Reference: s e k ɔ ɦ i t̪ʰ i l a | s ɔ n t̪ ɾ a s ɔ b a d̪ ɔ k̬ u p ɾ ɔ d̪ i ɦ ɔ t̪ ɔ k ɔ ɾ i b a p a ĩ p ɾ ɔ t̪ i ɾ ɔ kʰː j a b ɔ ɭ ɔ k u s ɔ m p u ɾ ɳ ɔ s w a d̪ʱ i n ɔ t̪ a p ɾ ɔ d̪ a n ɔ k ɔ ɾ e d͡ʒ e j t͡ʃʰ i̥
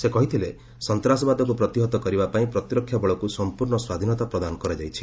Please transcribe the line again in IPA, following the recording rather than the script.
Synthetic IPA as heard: s e k ɔ ɦ i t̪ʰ i l e | s ɔ n t̪ ɾ a s ɔ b a d̪ ɔ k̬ u p ɾ ɔ t̪ i ɦ ɔ t̪ ɔ k ɔ ɾ i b a p a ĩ p ɾ ɔ t̪ i ɾ ɔ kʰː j a b ɔ ɭ ɔ k u s ɔ m p u ɾ ɳ ɔ s w a d̪ʱ i n ɔ t̪ a p ɾ ɔ d̪ a n ɔ k ɔ ɾ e d͡ʒ a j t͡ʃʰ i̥